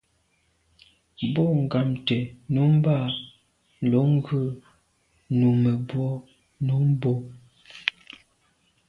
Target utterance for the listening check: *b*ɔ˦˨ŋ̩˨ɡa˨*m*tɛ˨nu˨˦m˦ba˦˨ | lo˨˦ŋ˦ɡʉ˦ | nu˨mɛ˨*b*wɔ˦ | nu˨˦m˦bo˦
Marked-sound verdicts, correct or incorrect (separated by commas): correct, correct, correct